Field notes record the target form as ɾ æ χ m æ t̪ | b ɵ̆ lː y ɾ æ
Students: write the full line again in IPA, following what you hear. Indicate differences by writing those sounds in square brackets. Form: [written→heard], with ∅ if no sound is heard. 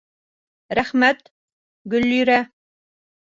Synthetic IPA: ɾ æ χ m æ t̪ | [b→ɡ] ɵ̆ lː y ɾ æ